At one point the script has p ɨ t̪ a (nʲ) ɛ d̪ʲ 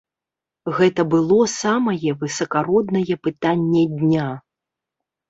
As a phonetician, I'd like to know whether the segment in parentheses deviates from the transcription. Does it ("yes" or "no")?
yes